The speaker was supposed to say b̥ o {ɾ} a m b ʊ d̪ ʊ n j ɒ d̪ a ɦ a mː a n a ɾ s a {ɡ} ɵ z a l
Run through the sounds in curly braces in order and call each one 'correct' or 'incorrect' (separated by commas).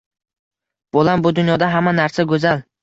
incorrect, correct